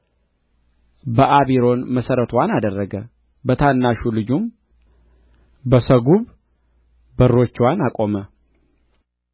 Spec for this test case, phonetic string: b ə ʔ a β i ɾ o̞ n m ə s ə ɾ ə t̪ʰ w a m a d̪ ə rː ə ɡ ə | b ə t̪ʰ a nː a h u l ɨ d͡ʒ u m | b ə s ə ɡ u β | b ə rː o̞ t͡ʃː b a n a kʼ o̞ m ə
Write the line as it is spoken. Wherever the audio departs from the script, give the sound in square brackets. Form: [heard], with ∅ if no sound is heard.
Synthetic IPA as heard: b ə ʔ a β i ɾ o̞ n m ə s ə ɾ ə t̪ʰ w a [n] a d̪ ə rː ə ɡ ə | b ə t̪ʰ a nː a [ʃ] u l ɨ d͡ʒ u m | b ə s ə ɡ u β | b ə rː o̞ t͡ʃː [w] a n a kʼ o̞ m ə